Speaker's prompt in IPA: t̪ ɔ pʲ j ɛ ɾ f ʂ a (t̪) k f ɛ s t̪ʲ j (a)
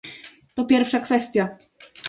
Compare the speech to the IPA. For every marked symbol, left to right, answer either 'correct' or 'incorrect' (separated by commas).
incorrect, correct